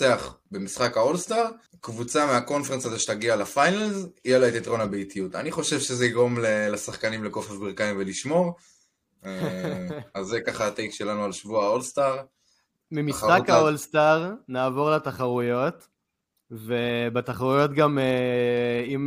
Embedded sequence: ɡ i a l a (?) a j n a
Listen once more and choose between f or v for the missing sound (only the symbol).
f